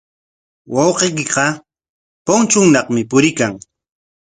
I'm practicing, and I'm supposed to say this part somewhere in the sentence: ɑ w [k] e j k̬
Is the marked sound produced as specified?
no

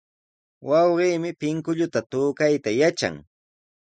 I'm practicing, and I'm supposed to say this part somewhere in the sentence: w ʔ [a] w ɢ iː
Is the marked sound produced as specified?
no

